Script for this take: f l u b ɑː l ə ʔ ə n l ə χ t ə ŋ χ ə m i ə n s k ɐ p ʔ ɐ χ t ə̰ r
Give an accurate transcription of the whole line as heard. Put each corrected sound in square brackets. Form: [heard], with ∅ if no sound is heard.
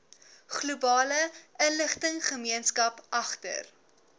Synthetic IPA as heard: [χ] l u b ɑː l ə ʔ ə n l ə χ t ə ŋ χ ə m i ə n s k ɐ p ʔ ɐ χ t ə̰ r

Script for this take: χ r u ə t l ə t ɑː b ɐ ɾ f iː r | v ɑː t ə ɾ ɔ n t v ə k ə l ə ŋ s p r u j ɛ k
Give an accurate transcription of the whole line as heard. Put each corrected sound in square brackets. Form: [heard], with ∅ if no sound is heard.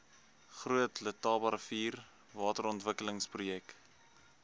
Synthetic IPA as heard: χ r u ə t l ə t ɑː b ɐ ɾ f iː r | v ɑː t ə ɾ ɔ n t v ə k ə l ə ŋ s p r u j ɛ k

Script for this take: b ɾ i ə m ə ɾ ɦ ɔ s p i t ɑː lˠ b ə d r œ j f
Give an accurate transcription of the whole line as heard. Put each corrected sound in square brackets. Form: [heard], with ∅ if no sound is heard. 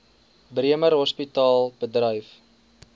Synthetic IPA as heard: b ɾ i ə m ə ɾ ɦ ɔ s p i t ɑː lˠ b ə d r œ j f

